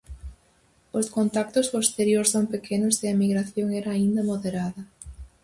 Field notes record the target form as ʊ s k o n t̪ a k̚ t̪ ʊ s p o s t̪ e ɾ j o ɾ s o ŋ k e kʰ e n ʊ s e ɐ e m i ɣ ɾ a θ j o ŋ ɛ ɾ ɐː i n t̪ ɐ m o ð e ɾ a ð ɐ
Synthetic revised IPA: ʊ s k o n t̪ a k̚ t̪ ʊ s p o s t̪ e ɾ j o ɾ s o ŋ p e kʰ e n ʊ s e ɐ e m i ɣ ɾ a θ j o ŋ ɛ ɾ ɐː i n d̪ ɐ m o ð e ɾ a ð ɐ